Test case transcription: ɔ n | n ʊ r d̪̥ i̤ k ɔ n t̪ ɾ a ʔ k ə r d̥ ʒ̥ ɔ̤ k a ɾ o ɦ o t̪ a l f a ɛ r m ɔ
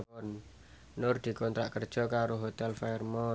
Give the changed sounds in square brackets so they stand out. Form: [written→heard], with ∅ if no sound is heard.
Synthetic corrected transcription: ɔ n | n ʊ r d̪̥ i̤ k ɔ n t̪ ɾ a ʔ k ə r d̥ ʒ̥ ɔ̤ k a ɾ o ɦ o t̪ [a→ɛ] l f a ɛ r m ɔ